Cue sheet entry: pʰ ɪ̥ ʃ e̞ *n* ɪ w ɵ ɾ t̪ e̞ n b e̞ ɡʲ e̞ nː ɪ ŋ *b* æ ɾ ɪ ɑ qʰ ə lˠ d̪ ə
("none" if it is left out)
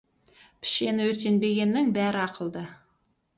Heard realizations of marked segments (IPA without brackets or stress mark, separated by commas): n, b